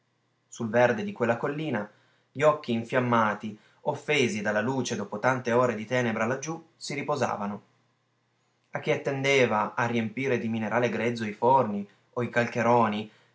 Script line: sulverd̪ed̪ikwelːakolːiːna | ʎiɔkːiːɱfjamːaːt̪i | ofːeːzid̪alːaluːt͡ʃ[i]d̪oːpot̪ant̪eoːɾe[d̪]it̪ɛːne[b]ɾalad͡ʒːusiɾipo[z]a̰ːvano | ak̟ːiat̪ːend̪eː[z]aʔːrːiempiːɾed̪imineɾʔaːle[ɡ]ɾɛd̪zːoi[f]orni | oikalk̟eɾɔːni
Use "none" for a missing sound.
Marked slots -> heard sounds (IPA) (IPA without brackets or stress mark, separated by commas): e, d̪, b, z, v, ɡ, f